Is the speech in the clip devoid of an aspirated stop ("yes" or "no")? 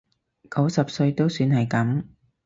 yes